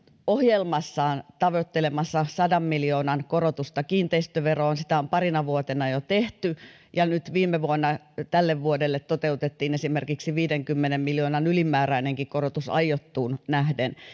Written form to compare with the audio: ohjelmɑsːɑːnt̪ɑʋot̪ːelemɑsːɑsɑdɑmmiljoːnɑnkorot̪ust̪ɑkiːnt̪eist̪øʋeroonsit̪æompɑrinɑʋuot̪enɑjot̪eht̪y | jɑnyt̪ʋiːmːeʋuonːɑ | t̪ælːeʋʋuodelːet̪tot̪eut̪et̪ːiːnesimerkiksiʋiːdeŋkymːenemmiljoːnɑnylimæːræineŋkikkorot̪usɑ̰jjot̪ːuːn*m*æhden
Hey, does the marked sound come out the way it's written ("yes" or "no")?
no